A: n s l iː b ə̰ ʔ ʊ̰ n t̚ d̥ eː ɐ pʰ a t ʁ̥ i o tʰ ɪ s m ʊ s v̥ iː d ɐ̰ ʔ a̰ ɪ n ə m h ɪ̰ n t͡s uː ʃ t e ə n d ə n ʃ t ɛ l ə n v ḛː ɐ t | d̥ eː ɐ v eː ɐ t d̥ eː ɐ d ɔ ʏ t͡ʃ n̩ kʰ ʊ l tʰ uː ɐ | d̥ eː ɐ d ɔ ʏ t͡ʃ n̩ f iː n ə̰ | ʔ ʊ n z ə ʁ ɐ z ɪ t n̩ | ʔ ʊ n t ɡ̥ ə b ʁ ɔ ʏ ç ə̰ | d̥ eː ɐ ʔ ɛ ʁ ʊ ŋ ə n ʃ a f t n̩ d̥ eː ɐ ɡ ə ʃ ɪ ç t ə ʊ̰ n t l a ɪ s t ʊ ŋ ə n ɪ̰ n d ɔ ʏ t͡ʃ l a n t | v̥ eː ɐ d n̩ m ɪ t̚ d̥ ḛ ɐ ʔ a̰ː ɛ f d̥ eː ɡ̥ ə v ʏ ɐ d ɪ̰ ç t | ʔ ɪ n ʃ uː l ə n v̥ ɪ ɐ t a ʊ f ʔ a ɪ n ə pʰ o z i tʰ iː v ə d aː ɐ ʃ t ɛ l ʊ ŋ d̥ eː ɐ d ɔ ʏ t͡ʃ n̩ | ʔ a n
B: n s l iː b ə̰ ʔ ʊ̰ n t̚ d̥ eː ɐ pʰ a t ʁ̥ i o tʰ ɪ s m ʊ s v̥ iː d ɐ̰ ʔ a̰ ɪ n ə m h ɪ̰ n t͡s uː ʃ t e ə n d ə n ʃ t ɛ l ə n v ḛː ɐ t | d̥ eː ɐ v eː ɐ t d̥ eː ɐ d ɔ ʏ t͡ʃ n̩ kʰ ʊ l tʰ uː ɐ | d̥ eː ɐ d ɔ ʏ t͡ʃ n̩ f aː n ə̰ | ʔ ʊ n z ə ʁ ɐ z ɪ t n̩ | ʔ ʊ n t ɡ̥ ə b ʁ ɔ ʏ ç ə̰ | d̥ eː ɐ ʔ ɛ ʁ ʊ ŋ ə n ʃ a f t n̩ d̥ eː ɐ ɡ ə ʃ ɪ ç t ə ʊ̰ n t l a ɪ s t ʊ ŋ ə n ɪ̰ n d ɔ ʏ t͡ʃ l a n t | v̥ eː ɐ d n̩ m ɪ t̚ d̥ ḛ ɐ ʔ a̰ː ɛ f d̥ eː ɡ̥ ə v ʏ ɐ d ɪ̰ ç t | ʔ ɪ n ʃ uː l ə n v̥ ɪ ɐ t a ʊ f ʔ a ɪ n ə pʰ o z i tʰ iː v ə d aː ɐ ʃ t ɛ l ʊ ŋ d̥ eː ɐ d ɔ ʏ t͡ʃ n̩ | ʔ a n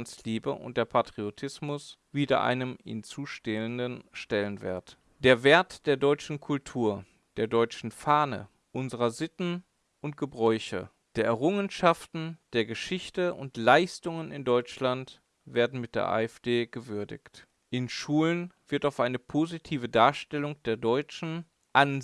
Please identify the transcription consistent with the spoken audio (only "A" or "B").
B